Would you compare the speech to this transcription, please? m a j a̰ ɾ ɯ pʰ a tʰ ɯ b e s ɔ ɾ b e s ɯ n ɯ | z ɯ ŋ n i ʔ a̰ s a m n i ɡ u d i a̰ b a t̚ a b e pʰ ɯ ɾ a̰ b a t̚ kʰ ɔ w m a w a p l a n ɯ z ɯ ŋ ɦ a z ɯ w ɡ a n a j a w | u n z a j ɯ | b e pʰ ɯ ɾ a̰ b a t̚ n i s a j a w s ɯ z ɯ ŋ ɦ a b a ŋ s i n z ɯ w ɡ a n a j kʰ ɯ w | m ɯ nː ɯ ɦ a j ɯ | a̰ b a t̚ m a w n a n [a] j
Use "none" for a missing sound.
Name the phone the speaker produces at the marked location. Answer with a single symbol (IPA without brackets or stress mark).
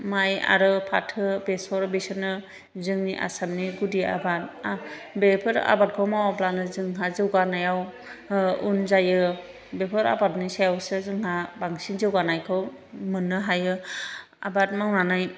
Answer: a